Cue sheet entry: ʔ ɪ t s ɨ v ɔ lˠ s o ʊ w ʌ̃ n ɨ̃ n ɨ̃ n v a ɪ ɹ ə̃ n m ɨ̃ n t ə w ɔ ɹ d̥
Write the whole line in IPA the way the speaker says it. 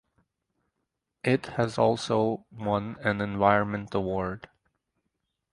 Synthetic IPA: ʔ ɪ t h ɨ z ɔ lˠ s o ʊ w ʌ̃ n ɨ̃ n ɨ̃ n v a ɪ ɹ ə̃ n m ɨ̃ n t ə w ɔ ɹ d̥